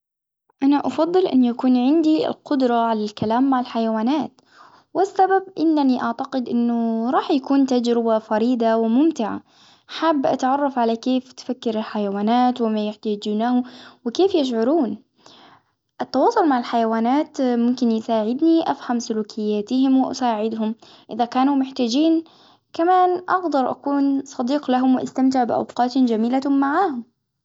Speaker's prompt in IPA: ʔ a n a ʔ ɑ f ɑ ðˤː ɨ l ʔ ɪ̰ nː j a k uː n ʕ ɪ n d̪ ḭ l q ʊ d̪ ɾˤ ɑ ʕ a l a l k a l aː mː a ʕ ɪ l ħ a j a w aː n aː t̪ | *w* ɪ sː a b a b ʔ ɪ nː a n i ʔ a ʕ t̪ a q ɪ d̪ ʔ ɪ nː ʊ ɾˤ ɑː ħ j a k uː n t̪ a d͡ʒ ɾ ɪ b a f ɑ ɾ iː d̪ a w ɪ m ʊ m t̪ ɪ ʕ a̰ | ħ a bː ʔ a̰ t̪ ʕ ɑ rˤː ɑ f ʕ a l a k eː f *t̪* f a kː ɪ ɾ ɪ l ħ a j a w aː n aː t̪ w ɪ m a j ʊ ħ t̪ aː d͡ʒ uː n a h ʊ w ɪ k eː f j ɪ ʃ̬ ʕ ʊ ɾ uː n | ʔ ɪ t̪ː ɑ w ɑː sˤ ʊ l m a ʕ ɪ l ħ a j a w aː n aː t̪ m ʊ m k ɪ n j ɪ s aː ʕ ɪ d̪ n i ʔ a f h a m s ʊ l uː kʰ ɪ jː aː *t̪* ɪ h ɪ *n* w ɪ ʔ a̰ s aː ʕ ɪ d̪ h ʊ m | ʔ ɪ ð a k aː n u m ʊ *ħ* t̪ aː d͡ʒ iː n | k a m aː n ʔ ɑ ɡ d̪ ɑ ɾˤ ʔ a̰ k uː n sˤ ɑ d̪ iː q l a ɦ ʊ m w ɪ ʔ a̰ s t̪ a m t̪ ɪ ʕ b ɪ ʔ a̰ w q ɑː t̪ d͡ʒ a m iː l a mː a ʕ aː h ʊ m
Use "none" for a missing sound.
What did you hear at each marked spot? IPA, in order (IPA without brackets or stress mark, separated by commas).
w, t̪, t̪, m, ħ